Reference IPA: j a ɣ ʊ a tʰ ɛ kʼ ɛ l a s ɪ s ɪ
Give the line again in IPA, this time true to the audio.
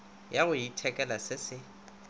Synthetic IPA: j a ɣ ʊ i tʰ ɛ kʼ ɛ l a s ɪ s ɪ